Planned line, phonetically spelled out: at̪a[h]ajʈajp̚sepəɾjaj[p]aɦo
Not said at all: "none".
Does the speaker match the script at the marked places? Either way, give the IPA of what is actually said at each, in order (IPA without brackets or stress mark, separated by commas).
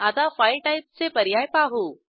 f, p